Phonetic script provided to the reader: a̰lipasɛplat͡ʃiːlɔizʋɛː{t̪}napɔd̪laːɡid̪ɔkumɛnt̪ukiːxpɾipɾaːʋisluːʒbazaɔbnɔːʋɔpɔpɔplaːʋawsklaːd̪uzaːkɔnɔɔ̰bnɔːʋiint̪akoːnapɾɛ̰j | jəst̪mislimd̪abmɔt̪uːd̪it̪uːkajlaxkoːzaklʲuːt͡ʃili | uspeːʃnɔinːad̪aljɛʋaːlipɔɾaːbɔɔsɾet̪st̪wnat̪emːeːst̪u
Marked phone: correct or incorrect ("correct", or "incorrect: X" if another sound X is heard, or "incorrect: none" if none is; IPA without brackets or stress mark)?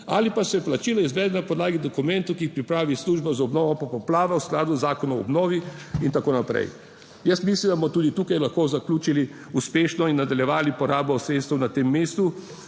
incorrect: d̪